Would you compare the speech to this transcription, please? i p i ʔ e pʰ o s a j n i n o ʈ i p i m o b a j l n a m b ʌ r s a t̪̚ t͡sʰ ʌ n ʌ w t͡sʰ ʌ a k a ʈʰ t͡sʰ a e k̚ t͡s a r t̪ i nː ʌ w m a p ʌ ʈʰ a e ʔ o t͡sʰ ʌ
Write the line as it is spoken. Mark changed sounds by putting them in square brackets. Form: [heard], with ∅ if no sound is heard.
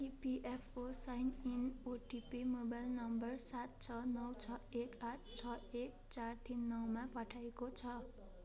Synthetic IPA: i p i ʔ e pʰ o s a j n i n o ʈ i p i m o b a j l n [ʌ] m b ʌ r s a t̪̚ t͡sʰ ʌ n ʌ w t͡sʰ ʌ [e] k a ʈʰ t͡sʰ [ʌ] e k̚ t͡s a r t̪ i nː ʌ w m a p ʌ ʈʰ a e [k] o t͡sʰ ʌ

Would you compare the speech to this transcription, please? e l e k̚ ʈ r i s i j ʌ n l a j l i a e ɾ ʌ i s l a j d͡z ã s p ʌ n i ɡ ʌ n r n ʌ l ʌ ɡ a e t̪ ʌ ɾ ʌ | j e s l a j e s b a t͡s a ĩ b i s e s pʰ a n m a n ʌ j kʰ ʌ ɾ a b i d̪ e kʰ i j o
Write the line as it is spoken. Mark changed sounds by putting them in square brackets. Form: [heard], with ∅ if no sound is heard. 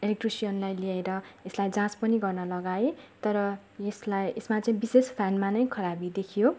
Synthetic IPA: e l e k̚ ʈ r i s i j ʌ n l a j l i a e ɾ ʌ [e] s l a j d͡z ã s p ʌ n i ɡ ʌ [∅] r n ʌ l ʌ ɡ a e t̪ ʌ ɾ ʌ | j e s l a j e s [m] a t͡s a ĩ b i s e s pʰ a n m a n ʌ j kʰ ʌ ɾ a b i d̪ e kʰ i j o

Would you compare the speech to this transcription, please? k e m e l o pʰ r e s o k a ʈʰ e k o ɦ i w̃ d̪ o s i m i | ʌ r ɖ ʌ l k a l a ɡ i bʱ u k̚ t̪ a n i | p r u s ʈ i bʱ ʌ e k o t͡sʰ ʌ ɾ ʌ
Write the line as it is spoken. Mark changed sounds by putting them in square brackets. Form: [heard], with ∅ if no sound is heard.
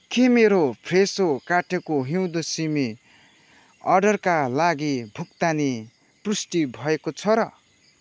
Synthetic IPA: k e m e [ɾ] o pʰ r e s o k a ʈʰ e k o ɦ i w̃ d̪ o s i m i | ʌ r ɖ ʌ [r] k a l a ɡ i bʱ u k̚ t̪ a n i | p r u s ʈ i bʱ ʌ e k o t͡sʰ ʌ ɾ ʌ

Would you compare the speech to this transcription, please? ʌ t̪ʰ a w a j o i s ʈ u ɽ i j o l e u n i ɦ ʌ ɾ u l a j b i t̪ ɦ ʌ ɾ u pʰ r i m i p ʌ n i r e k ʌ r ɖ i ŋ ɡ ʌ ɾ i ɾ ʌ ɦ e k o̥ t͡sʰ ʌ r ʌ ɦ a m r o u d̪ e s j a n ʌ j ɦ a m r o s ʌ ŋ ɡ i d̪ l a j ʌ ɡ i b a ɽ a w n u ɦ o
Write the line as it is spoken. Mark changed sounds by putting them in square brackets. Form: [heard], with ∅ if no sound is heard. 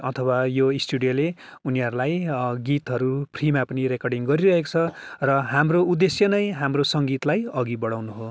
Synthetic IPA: ʌ t̪ʰ [ʌ] w a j o i s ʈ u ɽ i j o l e u n i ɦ ʌ ɾ u l a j [ɡ] i t̪ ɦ ʌ ɾ u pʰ r i m [a] p ʌ n i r e k ʌ r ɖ i ŋ ɡ ʌ ɾ i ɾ ʌ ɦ e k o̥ t͡sʰ ʌ r ʌ ɦ a m r o u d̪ e s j [ʌ] n ʌ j ɦ a m r o s ʌ ŋ ɡ i [t̪] l a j ʌ ɡ i b [ʌ] ɽ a w n u ɦ o

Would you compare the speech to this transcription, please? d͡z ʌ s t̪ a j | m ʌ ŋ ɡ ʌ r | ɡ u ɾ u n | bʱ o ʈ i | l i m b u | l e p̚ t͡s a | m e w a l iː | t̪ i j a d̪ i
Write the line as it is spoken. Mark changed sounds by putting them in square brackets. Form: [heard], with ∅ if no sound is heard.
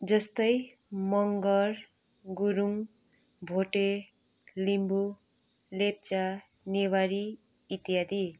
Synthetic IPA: d͡z ʌ s t̪ [ʌ] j | m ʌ ŋ ɡ ʌ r | ɡ u ɾ u [ŋ] | bʱ o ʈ [e] | l i m b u | l e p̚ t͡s a | [n] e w a [ɾ] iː | t̪ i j a d̪ i

